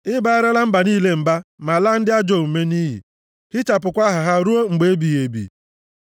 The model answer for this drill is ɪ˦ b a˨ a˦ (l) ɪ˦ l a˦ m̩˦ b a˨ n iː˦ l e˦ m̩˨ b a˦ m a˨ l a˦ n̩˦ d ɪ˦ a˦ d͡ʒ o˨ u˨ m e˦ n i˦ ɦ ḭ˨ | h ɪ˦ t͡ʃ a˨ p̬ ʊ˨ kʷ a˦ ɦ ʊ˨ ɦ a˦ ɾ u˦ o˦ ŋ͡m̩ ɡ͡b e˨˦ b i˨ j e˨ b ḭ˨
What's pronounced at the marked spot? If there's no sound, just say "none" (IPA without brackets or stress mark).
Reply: ɾ